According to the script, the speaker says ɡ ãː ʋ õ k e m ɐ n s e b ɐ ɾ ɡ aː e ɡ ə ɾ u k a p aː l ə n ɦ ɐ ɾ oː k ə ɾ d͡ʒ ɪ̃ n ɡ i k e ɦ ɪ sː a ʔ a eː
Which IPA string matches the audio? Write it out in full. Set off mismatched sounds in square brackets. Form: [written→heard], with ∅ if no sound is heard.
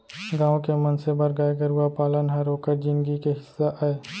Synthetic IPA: ɡ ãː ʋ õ k e m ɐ n s e b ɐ ɾ ɡ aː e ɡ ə ɾ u [k→∅] a p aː l ə n ɦ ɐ ɾ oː k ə ɾ d͡ʒ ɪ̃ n ɡ i k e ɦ ɪ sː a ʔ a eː